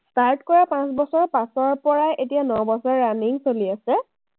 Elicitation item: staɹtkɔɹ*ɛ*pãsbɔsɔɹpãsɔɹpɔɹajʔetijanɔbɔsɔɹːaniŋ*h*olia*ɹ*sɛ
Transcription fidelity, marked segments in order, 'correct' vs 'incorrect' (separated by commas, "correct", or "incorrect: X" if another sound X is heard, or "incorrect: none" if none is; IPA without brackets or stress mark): incorrect: a, incorrect: s, incorrect: none